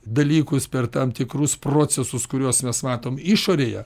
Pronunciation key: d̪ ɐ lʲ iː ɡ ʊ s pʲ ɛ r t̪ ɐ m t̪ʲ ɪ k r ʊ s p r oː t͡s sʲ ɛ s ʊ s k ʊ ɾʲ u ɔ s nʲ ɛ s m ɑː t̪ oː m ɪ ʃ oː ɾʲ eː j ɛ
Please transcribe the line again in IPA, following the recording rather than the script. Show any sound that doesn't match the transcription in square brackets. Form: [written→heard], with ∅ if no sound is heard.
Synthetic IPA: d̪ ɐ lʲ iː [ɡ→k] ʊ s pʲ ɛ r t̪ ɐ m t̪ʲ ɪ k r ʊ s p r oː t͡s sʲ ɛ s ʊ s k ʊ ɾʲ u ɔ s [nʲ→mʲ] ɛ s m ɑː t̪ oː m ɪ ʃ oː ɾʲ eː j ɛ